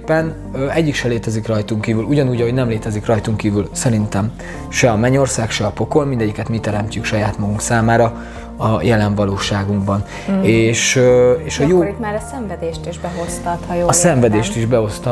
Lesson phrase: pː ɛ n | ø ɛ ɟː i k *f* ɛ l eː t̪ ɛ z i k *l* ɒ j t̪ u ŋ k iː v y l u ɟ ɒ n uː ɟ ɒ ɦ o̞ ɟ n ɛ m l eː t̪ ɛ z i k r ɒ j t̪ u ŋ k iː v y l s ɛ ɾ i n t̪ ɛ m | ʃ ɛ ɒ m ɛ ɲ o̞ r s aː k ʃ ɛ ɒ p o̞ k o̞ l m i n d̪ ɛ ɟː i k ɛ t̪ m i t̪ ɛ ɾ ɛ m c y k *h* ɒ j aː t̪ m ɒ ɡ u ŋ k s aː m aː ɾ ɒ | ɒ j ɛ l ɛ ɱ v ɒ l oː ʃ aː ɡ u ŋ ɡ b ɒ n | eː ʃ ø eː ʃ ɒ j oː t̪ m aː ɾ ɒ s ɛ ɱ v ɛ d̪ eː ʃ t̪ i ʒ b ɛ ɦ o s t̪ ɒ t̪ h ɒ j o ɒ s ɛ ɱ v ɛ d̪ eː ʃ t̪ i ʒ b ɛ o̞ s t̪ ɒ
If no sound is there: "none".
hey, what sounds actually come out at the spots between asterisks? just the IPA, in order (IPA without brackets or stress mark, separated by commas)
ʃ, r, ʃ